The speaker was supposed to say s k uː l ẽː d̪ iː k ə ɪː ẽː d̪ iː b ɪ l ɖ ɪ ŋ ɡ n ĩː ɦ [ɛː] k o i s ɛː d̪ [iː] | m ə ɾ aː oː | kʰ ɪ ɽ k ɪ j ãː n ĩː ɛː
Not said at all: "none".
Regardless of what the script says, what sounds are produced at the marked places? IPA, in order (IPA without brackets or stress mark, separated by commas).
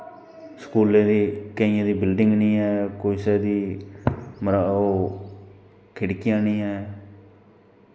ɛː, iː